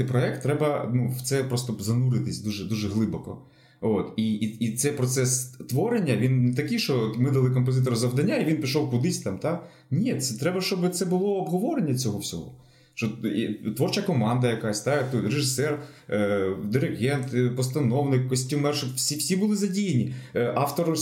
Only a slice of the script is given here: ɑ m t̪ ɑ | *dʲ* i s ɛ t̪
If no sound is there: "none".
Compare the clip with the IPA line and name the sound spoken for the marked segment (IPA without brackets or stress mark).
nʲ